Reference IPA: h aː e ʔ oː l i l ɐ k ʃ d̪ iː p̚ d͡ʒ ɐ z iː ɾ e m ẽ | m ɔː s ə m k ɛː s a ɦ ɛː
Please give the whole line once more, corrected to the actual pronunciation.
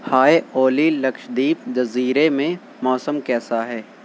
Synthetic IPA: h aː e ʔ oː l i l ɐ k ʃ d̪ iː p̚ d͡ʒ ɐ z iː ɾ e m ẽ | m ɔː s ə m k ɛː s a ɦ ɛː